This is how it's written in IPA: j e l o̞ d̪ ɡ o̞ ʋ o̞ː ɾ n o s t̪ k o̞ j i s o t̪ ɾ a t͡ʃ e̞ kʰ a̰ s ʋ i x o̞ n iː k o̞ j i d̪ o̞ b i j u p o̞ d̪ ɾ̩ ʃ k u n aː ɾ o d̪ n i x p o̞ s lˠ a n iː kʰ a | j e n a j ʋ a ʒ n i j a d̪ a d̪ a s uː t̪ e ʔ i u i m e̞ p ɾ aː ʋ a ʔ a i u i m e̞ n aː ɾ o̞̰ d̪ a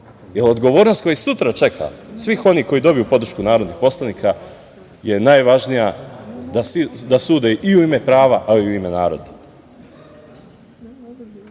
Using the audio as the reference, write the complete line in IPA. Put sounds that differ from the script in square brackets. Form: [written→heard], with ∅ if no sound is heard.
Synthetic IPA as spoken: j e l o̞ d̪ ɡ o̞ ʋ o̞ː ɾ n o s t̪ k o̞ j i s [o→u] t̪ ɾ a t͡ʃ e̞ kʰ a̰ s ʋ i x o̞ n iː k o̞ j i d̪ o̞ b i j u p o̞ d̪ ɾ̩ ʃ k u n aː ɾ o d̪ n i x p o̞ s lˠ a n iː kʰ a | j e n a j ʋ a ʒ n i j a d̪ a d̪ a s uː [t̪→d̪] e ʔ i u i m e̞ p ɾ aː ʋ a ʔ a i u i m e̞ n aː ɾ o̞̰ d̪ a